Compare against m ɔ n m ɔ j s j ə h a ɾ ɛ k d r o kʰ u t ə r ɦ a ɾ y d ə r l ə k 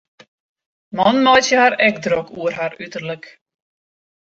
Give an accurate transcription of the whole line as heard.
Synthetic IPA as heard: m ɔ n m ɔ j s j ə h a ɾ ɛ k d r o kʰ u ə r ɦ a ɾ y t ə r l ə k